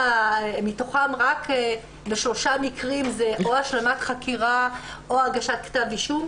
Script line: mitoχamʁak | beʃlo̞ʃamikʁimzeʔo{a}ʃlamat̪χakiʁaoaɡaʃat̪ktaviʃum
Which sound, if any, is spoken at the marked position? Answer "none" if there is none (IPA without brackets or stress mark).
a